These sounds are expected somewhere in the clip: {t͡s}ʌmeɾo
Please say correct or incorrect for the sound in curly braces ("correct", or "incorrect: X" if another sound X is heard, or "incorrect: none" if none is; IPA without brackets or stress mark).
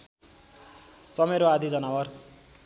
correct